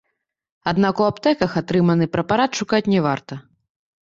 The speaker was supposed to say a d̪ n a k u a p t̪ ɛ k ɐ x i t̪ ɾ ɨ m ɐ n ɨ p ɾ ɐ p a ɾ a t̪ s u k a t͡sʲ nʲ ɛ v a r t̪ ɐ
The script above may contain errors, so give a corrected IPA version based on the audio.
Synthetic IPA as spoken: a d̪ n a k u a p t̪ ɛ k ɐ x a t̪ ɾ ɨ m ɐ n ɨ p ɾ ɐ p a ɾ a t̪ ʂ u k a t͡sʲ nʲ ɛ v a r t̪ ɐ